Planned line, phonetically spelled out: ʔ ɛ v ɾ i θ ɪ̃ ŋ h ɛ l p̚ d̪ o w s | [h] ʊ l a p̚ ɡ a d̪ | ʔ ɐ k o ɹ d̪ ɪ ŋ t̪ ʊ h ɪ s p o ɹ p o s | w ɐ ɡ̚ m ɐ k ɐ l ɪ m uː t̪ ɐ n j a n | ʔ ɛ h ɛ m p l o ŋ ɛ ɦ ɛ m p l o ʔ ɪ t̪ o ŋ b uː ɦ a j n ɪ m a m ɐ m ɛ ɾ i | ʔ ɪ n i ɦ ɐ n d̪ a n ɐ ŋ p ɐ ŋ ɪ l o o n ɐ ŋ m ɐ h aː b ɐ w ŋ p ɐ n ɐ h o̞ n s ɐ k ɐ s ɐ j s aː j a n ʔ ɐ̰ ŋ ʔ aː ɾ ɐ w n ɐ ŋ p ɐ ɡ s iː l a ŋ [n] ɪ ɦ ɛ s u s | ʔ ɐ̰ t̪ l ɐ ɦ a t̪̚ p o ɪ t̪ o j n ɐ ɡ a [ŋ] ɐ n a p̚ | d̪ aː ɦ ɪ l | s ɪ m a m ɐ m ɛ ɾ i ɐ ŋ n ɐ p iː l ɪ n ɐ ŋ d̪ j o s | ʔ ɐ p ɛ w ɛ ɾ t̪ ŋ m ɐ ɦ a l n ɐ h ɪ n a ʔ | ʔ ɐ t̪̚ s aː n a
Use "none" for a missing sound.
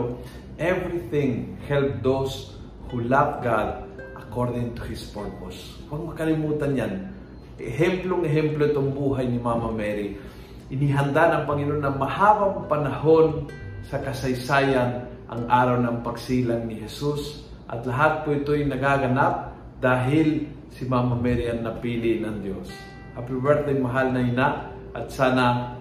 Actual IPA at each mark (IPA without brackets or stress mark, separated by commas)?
h, n, ɡ